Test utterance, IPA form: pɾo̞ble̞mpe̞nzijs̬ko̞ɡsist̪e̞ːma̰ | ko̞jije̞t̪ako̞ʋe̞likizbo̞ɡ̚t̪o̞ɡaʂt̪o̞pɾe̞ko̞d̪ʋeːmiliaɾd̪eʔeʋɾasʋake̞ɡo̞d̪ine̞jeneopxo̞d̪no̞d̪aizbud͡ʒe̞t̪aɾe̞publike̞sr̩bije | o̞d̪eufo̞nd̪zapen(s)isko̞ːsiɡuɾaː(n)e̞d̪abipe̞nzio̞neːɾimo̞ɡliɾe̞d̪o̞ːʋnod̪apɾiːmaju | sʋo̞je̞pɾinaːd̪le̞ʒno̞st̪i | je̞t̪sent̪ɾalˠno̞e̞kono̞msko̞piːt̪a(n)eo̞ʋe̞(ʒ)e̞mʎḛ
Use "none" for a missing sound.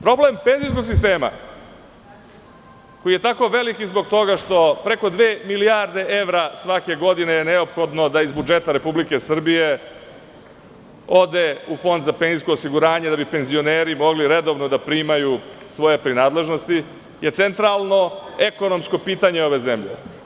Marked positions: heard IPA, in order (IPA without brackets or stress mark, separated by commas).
z, ɲ, ɲ, z